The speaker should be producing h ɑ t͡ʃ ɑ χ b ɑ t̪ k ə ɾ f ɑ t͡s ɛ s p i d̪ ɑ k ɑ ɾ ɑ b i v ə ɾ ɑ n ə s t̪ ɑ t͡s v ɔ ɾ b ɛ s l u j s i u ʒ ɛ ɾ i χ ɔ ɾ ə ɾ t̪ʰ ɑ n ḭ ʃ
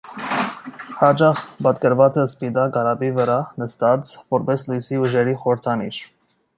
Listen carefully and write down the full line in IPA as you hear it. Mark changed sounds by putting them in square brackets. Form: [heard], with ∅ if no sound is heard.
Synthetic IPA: h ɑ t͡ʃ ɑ χ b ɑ t̪ k ə ɾ [v] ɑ t͡s ɛ s p i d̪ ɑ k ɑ ɾ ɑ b i v ə ɾ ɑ n ə s t̪ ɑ t͡s v ɔ ɾ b ɛ s l u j s i u ʒ ɛ ɾ i χ ɔ ɾ ə ɾ t̪ʰ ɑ n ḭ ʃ